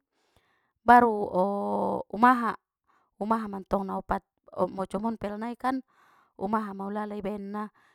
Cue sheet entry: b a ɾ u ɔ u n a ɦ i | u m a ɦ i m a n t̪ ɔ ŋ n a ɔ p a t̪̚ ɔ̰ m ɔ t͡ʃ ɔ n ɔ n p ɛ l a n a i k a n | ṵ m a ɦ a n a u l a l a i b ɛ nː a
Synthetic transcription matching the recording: b a ɾ u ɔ u m a ɦ a | u m a ɦ a m a n t̪ ɔ ŋ n a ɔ p a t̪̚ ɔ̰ m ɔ t͡ʃ ɔ m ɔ n p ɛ l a n a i k a n | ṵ m a ɦ a m a u l a l a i b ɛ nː a